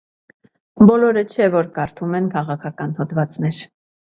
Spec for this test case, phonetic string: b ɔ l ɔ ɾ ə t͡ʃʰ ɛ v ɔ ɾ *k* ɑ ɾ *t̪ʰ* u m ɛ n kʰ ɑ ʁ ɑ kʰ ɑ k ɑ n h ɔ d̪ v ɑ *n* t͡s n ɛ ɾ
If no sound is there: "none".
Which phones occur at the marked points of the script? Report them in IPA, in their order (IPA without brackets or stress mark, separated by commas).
k, t̪ʰ, none